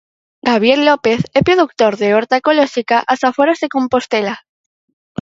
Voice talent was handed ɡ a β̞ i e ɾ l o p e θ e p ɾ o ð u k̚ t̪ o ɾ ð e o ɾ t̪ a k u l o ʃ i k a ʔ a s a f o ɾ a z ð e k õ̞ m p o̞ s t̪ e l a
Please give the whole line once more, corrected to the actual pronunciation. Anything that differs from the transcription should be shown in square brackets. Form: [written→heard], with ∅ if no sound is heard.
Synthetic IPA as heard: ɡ a β̞ [i→j] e ɾ l o p e θ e p ɾ o ð u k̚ t̪ o ɾ ð e o ɾ t̪ a k [u→o] l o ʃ i k a ʔ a s a f o ɾ a z ð e k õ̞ m p o̞ s t̪ e l a

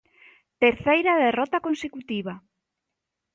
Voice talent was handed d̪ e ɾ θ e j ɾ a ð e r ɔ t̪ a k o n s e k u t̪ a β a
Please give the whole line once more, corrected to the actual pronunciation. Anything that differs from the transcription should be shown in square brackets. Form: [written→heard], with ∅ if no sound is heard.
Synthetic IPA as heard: [d̪→t̪] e ɾ θ e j ɾ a ð e r ɔ t̪ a k o n s e k u t̪ [a→i] β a

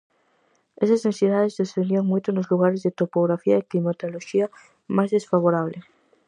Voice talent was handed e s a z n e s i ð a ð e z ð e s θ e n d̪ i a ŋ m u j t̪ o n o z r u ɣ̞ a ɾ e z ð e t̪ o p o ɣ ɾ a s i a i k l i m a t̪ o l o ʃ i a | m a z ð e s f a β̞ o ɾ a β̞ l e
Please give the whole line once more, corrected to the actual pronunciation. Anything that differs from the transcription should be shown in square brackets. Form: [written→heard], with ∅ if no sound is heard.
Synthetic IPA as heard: e s a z n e s i ð a ð e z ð e s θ e n d̪ i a ŋ m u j t̪ o n o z [r→l] u ɣ̞ a ɾ e z ð e t̪ o p o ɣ ɾ a [s→f] i a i k l i m a t̪ o l o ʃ i a | m a z ð e s f a β̞ o ɾ a β̞ l e

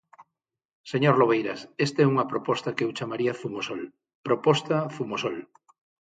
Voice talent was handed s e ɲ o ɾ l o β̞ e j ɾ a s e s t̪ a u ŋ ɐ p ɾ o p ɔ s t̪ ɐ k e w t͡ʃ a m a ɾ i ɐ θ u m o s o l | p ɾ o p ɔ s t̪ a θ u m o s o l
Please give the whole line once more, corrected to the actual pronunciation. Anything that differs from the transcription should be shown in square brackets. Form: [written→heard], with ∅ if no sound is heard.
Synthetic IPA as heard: s e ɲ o ɾ l o β̞ e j ɾ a s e s t̪ [a→ɛ] u ŋ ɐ p ɾ o p ɔ s t̪ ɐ k e w t͡ʃ a m a ɾ i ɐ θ u m o s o l | p ɾ o p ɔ s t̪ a θ u m o s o l

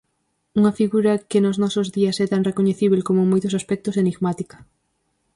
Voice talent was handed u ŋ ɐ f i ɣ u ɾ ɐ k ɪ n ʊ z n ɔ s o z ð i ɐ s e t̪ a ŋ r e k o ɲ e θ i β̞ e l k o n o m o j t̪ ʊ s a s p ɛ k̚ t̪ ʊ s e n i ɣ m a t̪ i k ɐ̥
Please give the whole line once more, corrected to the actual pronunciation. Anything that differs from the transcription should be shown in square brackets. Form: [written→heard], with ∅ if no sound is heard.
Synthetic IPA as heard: u ŋ ɐ f i ɣ u ɾ ɐ k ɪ n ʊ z n ɔ s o z ð i ɐ s [e→ɛ] t̪ a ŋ r e k o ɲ e θ i β̞ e l k o [n→m] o m o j t̪ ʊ s a s p ɛ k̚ t̪ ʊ s e n i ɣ m a t̪ i k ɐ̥

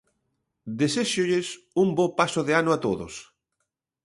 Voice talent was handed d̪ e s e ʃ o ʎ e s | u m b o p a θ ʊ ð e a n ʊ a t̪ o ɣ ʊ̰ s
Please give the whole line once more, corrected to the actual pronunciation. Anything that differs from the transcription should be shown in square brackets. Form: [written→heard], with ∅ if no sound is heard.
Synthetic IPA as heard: d̪ e s e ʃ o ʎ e s | u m b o p a [θ→s] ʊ ð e a n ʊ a t̪ o [ɣ→ð] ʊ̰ s

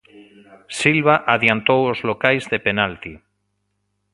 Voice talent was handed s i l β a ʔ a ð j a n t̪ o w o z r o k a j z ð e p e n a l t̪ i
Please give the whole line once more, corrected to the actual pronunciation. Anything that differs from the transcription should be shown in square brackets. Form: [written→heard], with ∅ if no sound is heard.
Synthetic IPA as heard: s i l β a ʔ a ð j a n t̪ o w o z [r→l] o k a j z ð e p e n a l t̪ i

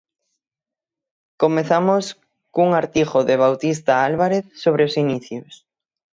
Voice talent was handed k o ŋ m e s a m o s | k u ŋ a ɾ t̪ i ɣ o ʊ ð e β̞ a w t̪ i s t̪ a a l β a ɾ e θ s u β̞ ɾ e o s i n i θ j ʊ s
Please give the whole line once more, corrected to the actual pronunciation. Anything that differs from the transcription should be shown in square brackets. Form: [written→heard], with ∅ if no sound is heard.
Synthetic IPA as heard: k o [ŋ→∅] m e [s→θ] a m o s | k u ŋ a ɾ t̪ i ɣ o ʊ ð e β̞ a w t̪ i s t̪ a a l β a ɾ e θ s [u→o] β̞ ɾ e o s i n i θ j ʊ s

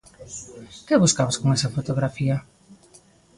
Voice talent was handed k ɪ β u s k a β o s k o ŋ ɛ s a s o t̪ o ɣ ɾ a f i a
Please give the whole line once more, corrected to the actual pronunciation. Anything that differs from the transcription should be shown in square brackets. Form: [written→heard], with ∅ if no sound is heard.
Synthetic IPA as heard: k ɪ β u s k a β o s k o ŋ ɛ s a [s→f] o t̪ o ɣ ɾ a f i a

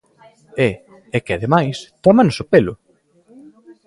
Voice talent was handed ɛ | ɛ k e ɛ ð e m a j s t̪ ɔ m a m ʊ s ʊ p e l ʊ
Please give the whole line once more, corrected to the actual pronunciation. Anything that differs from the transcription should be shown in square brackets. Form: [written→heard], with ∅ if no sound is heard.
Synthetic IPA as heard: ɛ | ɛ k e [ɛ→a] ð e m a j s t̪ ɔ m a [m→n] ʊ s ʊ p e l ʊ

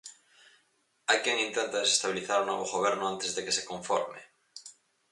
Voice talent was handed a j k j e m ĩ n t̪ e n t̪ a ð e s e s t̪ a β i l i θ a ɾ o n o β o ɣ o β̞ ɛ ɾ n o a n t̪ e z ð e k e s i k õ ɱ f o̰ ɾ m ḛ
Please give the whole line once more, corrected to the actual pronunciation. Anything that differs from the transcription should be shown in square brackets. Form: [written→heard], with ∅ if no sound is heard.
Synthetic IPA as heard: a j k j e [m→ŋ] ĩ n t̪ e n t̪ a ð e s e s t̪ a β i l i θ a ɾ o n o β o ɣ o β̞ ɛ ɾ n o a n t̪ e z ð e k e s [i→e] k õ ɱ f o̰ ɾ m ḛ

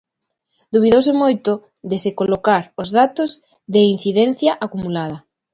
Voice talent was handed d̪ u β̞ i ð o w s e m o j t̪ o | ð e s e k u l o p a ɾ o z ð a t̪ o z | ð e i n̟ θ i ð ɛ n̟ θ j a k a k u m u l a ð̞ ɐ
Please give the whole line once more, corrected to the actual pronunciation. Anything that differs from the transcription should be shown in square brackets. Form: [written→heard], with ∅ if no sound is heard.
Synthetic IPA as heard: d̪ u β̞ i ð o w s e m o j t̪ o | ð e s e k [u→o] l o [p→k] a ɾ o z ð a t̪ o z | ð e i n̟ θ i ð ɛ n̟ θ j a [k→ʔ] a k u m u l a ð̞ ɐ

